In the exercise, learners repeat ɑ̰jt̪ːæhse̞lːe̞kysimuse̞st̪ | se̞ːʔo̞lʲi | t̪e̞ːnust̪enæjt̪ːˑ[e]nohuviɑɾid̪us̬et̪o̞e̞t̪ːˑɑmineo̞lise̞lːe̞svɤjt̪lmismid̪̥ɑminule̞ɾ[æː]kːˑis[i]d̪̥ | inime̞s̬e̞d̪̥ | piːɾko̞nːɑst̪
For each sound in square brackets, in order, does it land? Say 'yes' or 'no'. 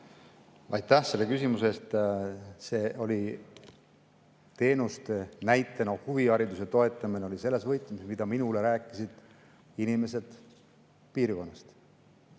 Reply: yes, yes, yes

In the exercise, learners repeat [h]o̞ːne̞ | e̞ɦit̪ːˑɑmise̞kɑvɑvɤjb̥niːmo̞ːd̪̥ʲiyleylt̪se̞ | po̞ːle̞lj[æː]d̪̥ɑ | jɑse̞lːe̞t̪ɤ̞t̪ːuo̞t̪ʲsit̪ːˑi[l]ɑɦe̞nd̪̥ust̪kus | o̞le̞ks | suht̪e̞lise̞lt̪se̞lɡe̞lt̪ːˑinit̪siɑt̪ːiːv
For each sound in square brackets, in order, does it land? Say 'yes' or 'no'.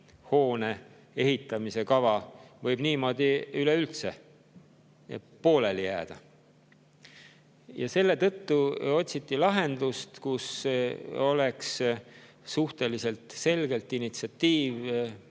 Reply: yes, yes, yes

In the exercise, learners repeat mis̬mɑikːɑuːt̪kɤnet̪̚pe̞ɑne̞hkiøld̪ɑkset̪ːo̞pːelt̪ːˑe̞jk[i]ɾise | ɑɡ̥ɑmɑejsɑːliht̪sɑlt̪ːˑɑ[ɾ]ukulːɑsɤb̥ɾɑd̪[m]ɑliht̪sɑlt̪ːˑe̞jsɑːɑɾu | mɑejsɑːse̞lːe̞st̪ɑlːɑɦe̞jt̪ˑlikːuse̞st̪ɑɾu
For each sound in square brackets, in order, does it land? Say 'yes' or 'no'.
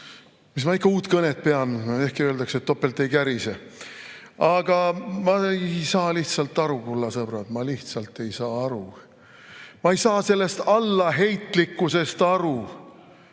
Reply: no, yes, yes

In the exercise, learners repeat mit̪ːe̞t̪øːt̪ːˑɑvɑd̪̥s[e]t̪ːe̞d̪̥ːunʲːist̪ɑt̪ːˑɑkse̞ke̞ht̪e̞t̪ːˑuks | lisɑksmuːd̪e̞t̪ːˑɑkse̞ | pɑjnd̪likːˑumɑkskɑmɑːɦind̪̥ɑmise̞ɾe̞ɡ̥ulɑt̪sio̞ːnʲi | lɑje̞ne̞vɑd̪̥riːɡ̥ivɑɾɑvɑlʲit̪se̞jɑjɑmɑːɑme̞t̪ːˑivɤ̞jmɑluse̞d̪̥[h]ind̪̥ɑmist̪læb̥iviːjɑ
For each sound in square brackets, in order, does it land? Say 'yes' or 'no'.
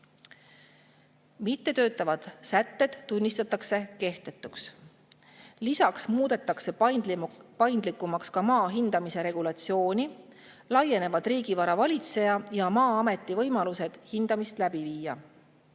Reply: no, yes

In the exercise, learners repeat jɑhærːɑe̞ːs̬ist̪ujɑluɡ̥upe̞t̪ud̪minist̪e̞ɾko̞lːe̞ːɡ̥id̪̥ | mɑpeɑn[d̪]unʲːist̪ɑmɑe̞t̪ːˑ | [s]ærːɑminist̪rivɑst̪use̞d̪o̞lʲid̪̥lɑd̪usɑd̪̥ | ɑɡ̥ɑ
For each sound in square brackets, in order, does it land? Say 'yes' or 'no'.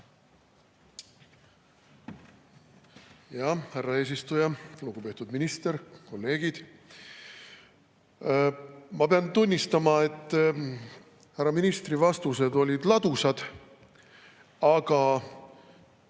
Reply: no, no

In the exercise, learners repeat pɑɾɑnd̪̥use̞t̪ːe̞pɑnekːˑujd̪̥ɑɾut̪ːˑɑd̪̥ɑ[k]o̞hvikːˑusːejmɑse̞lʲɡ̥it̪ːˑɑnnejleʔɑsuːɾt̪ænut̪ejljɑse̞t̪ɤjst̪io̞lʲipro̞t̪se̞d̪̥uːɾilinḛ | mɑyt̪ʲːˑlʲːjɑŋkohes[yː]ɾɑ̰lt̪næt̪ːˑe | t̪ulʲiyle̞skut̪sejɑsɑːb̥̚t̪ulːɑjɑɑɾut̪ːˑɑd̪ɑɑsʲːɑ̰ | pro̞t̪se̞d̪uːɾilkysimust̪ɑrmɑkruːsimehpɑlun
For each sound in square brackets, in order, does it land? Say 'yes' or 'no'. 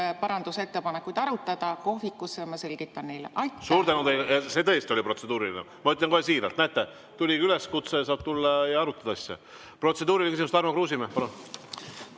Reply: yes, no

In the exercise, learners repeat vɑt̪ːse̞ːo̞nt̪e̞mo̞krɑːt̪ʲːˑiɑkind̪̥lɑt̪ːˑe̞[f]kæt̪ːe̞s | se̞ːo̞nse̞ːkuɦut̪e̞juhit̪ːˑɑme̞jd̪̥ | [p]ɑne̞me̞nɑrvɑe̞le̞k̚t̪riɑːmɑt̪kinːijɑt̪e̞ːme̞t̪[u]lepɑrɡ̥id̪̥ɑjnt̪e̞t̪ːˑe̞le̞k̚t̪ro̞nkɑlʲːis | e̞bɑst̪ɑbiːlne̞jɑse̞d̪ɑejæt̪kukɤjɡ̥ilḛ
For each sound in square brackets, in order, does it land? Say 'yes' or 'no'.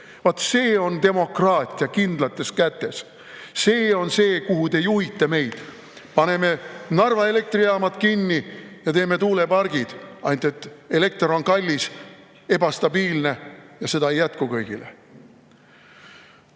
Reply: no, yes, no

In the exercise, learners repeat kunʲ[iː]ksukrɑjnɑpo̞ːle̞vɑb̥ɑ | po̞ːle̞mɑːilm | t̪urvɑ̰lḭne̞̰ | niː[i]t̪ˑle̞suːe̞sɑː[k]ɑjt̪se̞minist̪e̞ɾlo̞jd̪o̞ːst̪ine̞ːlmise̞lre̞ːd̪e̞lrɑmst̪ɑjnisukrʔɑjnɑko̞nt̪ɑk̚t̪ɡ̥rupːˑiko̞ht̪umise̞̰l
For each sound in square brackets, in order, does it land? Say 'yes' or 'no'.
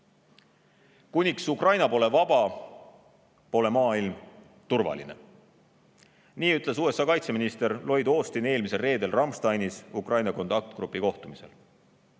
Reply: no, no, yes

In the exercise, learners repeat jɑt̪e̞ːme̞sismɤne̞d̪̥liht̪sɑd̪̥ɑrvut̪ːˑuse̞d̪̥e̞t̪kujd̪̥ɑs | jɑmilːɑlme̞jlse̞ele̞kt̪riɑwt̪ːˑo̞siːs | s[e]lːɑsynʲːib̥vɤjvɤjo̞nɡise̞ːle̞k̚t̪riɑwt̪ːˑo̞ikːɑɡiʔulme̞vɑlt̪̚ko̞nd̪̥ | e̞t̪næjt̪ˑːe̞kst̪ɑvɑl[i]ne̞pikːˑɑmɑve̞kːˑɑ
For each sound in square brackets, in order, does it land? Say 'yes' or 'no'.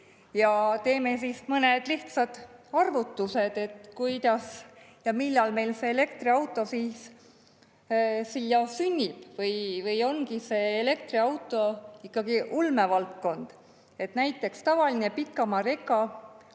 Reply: no, yes

